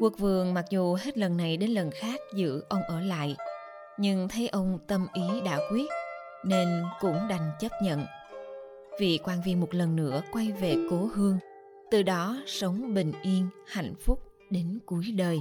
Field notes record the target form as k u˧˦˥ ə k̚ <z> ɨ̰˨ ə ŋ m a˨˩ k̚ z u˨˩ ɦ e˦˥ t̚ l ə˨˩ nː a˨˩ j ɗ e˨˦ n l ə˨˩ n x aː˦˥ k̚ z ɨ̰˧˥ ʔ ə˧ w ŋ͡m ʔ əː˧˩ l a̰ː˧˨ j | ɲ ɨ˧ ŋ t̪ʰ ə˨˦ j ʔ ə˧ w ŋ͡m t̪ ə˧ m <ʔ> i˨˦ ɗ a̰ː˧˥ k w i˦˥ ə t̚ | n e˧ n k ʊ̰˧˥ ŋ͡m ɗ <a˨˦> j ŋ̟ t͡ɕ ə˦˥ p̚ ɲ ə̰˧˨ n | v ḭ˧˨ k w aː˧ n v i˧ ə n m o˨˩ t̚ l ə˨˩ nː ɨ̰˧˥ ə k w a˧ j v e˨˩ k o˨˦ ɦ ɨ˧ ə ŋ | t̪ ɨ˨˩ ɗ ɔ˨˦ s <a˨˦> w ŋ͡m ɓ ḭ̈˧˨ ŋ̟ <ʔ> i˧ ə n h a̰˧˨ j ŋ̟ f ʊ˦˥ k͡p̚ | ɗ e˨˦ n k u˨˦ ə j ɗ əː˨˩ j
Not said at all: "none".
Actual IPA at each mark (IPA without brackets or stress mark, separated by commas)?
v, ʔ, a˨˩, ə˨˦, ʔ